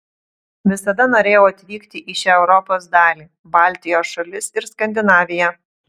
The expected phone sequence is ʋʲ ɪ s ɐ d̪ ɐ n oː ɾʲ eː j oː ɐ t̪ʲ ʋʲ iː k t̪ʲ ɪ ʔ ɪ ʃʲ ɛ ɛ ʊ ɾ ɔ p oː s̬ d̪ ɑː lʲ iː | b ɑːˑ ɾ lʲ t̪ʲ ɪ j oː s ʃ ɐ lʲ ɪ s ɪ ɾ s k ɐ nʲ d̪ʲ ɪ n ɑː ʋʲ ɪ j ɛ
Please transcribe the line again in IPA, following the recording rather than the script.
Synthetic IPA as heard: ʋʲ ɪ s ɐ d̪ ɐ n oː ɾʲ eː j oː ɐ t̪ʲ ʋʲ iː k t̪ʲ ɪ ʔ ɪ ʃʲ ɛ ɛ ʊ ɾ ɔ p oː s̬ d̪ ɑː lʲ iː | b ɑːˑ lʲ t̪ʲ ɪ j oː s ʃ ɐ lʲ ɪ s ɪ ɾ s k ɐ nʲ d̪ʲ ɪ n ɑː ʋʲ ɪ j ɛ